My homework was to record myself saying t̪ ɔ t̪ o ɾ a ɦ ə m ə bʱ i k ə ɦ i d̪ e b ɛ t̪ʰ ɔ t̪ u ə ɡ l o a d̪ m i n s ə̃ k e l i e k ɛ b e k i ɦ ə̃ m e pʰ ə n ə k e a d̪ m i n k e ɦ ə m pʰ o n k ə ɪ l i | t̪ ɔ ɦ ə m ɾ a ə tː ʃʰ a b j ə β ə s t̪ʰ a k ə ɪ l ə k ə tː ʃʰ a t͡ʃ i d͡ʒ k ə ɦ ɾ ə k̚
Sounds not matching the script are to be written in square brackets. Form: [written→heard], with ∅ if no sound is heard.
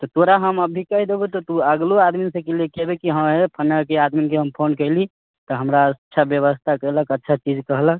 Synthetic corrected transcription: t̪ ɔ t̪ o ɾ a ɦ ə m ə bʱ i k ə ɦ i d̪ e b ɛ [t̪ʰ→t̪] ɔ t̪ u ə ɡ l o a d̪ m i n s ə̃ k e l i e k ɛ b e k i ɦ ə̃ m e pʰ ə n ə k e a d̪ m i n k e ɦ ə m pʰ o n k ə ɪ l i | t̪ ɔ ɦ ə m ɾ a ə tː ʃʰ a b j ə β ə s t̪ʰ a k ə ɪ l ə k ə tː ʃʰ a t͡ʃ i d͡ʒ k ə ɦ [ɾ→l] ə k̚